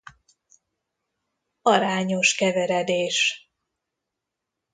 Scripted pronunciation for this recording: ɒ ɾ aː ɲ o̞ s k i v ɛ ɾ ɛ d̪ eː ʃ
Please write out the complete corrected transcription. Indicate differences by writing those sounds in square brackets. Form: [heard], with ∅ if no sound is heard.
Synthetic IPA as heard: ɒ ɾ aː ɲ o̞ [ʃ] k [ɛ] v ɛ ɾ ɛ d̪ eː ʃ